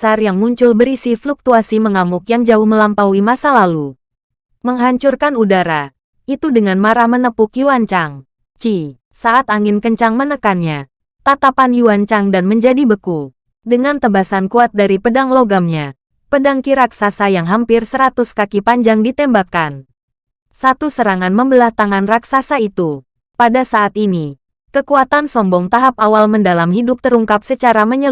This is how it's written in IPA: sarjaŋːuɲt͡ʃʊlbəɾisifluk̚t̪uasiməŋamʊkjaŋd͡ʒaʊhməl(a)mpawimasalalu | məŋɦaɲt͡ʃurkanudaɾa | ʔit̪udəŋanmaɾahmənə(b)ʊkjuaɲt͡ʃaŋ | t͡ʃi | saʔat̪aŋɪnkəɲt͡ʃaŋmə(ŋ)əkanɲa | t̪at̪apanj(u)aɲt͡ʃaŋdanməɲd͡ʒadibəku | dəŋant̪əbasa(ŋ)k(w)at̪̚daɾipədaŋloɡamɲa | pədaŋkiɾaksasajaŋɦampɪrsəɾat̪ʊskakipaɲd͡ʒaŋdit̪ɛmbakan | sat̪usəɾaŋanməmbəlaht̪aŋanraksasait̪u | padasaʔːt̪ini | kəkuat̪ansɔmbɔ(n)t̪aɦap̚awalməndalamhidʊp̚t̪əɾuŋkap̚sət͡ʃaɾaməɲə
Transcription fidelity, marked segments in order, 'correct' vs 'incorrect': correct, incorrect: p, incorrect: n, correct, incorrect: n, incorrect: u, incorrect: ŋ

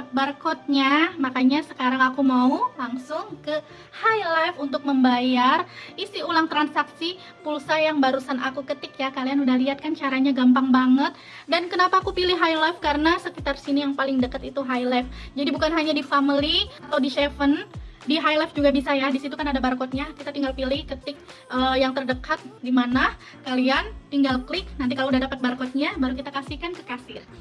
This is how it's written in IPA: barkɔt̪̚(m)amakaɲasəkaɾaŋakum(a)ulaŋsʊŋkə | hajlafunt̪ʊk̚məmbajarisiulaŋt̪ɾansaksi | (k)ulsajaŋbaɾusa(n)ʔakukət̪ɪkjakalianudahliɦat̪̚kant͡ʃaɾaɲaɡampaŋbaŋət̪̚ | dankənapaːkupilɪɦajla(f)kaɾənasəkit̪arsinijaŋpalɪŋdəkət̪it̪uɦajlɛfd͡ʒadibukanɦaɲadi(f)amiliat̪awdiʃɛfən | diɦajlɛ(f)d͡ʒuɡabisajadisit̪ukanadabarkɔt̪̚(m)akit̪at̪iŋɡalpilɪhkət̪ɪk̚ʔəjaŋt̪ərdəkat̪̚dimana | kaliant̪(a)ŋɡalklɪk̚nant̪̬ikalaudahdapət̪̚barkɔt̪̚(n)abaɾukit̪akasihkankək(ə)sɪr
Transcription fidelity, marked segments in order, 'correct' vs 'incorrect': incorrect: ɲ, correct, incorrect: p, correct, correct, correct, correct, incorrect: ɲ, incorrect: i, incorrect: ɲ, incorrect: a

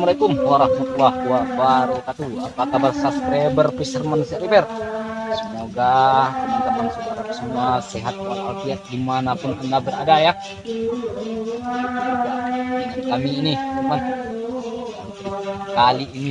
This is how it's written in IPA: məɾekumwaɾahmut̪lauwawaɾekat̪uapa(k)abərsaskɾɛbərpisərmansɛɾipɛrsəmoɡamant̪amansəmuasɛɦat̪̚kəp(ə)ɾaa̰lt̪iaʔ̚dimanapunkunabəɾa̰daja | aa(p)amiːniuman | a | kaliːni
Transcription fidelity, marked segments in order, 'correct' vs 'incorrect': correct, incorrect: a, incorrect: k

